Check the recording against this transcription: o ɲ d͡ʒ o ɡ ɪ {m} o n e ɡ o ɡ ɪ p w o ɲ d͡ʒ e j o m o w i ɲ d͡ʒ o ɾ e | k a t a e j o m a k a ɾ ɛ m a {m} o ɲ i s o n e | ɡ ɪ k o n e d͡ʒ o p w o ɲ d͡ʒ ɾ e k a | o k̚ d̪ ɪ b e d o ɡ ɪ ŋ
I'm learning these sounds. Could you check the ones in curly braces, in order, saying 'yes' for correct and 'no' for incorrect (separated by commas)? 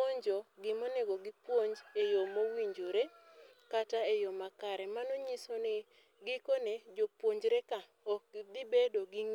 yes, no